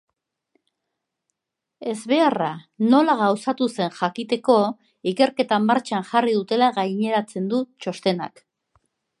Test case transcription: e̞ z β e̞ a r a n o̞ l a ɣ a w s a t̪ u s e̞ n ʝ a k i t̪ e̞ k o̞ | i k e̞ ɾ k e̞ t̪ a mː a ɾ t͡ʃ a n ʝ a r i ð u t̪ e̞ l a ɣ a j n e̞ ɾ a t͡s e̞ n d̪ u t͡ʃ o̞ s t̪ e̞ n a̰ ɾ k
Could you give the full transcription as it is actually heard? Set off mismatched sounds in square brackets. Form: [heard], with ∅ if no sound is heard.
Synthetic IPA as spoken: e̞ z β e̞ a r a n o̞ l a ɣ a w s a t̪ u s e̞ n ʝ a k i t̪ e̞ k o̞ | i k e̞ ɾ k e̞ t̪ a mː a ɾ t͡ʃ a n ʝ a r i ð u t̪ e̞ l a ɣ a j [ɲ] e̞ ɾ a t͡s e̞ n d̪ u t͡ʃ o̞ s t̪ e̞ n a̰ [∅] k